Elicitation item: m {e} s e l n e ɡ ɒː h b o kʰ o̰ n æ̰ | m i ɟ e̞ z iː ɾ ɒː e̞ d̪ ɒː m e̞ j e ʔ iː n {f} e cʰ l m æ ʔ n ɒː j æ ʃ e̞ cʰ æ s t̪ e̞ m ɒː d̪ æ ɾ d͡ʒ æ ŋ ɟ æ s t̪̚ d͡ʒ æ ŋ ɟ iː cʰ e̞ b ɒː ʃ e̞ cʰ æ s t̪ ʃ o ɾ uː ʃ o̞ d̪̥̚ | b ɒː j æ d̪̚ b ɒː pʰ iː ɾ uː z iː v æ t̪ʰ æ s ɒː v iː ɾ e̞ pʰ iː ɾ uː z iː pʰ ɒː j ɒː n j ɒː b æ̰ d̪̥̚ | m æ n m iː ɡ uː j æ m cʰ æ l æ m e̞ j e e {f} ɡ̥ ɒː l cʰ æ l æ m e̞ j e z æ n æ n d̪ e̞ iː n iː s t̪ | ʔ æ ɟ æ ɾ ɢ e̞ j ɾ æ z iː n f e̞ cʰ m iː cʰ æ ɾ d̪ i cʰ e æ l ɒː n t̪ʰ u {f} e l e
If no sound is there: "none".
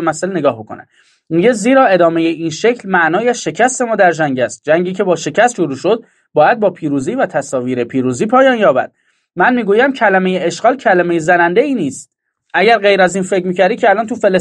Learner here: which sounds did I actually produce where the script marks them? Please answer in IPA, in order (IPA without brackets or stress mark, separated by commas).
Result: æ, ʃ, ʃ, f